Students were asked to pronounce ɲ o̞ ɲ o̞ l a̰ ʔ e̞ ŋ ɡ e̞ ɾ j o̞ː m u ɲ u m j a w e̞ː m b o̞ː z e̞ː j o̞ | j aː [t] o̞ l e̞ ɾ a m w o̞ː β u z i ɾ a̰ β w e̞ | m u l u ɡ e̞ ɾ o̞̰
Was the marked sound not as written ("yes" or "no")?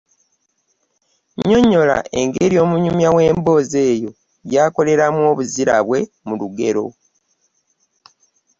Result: yes